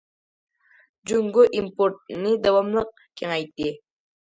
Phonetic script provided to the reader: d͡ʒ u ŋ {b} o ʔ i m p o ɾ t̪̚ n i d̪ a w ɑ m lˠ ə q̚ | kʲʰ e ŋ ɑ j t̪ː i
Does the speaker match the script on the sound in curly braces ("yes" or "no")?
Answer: no